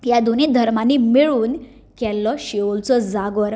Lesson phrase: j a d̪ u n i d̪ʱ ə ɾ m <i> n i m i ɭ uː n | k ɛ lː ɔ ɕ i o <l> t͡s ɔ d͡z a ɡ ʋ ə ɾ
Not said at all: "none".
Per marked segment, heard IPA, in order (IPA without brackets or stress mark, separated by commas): a, l